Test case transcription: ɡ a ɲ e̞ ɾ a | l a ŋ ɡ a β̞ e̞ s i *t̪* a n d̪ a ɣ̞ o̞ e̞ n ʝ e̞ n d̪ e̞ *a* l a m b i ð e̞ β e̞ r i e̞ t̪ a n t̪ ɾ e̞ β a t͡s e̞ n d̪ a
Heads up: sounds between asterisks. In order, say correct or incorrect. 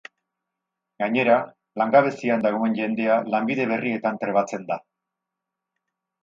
incorrect: none, correct

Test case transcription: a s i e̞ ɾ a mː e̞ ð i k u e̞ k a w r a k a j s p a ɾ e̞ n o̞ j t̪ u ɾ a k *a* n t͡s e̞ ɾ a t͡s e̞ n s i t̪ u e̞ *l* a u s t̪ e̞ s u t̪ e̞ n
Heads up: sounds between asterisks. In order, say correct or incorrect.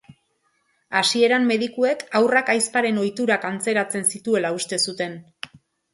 correct, correct

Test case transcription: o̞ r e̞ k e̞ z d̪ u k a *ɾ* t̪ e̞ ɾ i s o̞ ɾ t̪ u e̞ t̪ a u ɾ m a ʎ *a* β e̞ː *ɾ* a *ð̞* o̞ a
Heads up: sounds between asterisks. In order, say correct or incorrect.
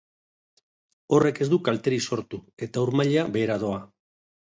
incorrect: l, correct, correct, correct

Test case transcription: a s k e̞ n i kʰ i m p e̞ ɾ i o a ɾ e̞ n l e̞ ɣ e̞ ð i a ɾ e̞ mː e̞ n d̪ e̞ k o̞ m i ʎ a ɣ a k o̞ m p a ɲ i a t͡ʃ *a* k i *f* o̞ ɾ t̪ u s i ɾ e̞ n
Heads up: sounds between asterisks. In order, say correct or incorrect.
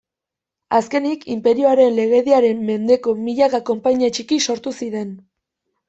incorrect: i, incorrect: s

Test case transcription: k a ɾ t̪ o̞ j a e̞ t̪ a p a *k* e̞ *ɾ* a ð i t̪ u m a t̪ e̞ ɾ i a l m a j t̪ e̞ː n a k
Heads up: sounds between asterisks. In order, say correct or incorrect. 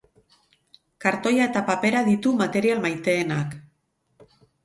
incorrect: p, correct

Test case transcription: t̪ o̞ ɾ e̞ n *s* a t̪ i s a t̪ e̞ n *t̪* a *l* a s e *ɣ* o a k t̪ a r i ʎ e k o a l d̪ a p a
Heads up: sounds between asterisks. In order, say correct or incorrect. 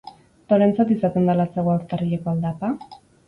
incorrect: t͡s, incorrect: d̪, correct, correct

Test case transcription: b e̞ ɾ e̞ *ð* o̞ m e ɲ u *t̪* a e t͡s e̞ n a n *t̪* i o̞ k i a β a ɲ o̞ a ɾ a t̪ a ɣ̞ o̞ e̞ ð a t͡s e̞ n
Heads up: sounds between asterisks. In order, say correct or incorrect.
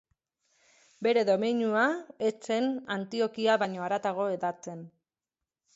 correct, incorrect: none, correct

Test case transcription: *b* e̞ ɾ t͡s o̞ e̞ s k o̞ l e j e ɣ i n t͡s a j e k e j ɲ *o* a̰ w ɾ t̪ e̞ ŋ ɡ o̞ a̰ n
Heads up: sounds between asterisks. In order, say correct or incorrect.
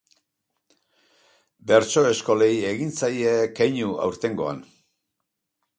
correct, incorrect: u

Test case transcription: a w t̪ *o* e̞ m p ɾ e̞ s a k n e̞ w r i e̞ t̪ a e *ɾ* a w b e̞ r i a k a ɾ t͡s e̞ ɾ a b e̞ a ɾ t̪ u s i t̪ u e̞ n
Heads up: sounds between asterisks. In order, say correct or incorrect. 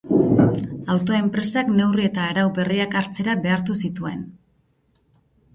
correct, correct

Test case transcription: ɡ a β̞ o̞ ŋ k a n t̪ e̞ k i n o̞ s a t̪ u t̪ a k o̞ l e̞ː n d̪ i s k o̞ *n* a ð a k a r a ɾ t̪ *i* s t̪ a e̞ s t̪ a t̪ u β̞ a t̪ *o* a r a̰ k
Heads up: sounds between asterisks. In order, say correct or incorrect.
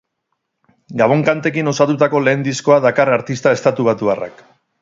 incorrect: none, correct, incorrect: u

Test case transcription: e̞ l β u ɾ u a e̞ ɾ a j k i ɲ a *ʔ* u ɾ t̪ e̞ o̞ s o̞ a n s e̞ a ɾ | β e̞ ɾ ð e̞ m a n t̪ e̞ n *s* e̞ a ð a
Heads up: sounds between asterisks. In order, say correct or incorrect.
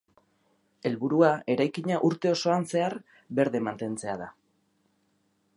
correct, incorrect: t͡s

